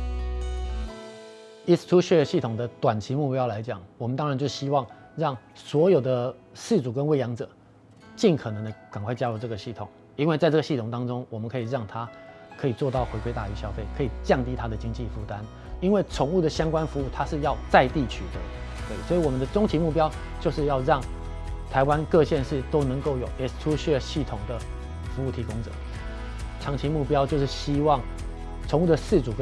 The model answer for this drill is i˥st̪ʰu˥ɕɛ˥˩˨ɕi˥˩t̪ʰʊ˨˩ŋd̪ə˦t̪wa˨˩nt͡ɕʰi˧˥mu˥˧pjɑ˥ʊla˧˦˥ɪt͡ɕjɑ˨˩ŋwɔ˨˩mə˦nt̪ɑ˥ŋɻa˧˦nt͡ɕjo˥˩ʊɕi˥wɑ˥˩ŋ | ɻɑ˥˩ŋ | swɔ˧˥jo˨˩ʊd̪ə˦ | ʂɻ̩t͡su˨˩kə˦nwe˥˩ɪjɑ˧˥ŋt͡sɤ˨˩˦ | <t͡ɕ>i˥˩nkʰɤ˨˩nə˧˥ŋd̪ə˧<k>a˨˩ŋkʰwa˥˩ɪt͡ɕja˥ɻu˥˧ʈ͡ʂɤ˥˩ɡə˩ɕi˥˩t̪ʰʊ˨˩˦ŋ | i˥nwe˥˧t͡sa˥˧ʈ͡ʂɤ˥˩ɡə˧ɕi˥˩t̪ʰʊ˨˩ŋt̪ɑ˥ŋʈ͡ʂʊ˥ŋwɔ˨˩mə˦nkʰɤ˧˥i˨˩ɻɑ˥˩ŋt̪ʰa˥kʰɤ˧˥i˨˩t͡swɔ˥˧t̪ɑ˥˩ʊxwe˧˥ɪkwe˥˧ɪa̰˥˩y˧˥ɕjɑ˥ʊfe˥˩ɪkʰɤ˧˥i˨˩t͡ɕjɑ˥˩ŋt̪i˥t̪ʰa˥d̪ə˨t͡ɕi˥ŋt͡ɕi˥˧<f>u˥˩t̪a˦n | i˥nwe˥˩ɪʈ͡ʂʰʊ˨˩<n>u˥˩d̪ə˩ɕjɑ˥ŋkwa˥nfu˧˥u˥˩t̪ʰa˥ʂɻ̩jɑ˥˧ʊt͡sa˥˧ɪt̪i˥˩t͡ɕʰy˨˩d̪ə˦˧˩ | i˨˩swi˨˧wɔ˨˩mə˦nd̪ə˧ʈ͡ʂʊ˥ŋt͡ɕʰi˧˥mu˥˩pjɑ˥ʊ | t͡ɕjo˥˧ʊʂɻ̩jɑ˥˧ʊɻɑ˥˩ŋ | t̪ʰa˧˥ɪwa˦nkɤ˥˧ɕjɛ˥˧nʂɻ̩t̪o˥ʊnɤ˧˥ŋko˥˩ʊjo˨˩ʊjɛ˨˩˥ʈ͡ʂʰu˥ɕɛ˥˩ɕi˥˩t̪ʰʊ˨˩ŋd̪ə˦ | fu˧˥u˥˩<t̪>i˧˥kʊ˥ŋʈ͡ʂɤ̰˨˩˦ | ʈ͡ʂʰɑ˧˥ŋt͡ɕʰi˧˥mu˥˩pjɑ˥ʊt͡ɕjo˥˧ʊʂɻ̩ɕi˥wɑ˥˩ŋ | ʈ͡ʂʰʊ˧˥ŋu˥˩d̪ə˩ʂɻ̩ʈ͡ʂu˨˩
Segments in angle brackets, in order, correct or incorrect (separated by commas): correct, correct, correct, incorrect, incorrect